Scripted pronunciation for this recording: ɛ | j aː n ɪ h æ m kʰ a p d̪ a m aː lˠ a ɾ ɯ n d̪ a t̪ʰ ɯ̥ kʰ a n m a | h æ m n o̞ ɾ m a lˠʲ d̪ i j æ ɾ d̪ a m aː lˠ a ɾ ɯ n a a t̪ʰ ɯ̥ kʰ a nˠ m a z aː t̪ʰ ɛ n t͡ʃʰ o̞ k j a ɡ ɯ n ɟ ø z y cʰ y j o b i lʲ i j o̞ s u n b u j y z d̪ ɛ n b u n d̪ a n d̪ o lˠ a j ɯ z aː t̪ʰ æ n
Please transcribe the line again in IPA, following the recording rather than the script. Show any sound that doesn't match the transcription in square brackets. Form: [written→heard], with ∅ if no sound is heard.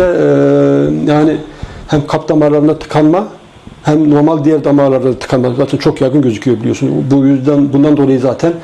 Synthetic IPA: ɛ | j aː n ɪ h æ m kʰ a p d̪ a m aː lˠ a ɾ ɯ n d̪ a t̪ʰ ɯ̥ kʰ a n m a | h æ m n o̞ ɾ m a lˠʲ d̪ i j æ ɾ d̪ a m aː lˠ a ɾ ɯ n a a t̪ʰ ɯ̥ kʰ a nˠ m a z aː t̪ʰ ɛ n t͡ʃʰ o̞ k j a ɡ ɯ n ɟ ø z y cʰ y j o b i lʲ i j o̞ s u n b u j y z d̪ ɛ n b u n d̪ a n d̪ o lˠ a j ɯ z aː t̪ʰ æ n